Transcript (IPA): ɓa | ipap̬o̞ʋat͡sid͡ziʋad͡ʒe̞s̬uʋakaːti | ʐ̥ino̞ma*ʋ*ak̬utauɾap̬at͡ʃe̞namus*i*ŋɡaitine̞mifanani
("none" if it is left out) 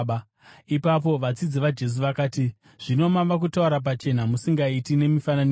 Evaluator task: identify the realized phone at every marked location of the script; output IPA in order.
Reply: ʋ, i

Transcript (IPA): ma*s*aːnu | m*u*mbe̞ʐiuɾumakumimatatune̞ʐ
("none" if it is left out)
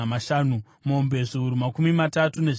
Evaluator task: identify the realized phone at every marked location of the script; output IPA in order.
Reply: ʃ, o

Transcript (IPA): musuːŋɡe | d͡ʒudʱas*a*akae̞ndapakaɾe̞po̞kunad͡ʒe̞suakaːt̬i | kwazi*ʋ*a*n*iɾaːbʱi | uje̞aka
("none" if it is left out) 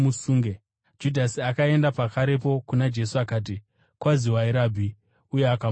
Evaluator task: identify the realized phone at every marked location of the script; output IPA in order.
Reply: i, w, none

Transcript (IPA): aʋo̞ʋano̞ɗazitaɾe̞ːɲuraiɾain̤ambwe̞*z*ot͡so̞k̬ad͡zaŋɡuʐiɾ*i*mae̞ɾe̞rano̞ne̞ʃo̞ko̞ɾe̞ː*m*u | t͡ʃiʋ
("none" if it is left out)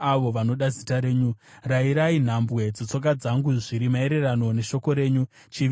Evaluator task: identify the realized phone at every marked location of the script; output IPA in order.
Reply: d͡z, i, ɲ

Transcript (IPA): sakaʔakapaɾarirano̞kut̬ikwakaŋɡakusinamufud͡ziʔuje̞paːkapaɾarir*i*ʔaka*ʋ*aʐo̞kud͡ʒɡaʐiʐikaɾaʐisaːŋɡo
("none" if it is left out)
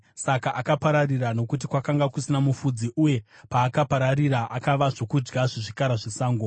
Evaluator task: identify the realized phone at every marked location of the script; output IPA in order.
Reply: a, ʋ

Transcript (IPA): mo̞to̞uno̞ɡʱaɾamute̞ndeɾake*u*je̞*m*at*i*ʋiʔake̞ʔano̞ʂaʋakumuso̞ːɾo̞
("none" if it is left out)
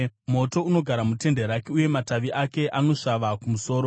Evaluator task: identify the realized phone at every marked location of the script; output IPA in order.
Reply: u, m, a

